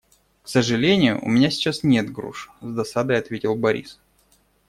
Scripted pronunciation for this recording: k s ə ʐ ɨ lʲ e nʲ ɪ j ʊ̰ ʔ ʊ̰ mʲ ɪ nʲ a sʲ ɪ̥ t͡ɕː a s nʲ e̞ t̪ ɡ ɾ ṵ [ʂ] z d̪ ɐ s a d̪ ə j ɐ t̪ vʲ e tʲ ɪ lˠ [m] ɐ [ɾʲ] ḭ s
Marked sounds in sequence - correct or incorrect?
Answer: correct, incorrect: b, correct

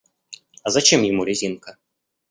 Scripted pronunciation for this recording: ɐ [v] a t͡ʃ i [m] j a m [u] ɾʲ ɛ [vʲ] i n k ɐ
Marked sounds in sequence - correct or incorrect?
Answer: incorrect: z, correct, correct, incorrect: zʲ

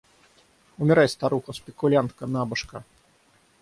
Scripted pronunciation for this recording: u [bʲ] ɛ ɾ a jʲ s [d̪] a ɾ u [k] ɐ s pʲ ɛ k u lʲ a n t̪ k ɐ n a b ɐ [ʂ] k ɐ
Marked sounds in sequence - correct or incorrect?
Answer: incorrect: mʲ, incorrect: t̪, incorrect: x, correct

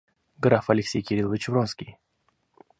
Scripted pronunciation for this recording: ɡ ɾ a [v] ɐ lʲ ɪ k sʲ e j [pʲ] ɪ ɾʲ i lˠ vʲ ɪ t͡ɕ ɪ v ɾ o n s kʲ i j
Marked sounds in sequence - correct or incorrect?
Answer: incorrect: f, incorrect: kʲ

